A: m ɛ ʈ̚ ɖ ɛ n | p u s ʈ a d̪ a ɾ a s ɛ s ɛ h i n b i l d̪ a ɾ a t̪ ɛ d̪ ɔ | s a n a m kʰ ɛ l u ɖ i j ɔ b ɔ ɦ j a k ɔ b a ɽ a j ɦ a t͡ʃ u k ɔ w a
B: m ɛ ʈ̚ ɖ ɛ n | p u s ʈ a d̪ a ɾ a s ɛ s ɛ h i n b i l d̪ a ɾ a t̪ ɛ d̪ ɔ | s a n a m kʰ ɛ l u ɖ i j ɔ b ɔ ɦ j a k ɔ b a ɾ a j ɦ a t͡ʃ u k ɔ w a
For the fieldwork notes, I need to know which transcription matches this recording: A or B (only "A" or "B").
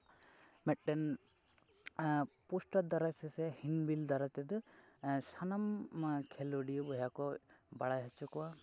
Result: A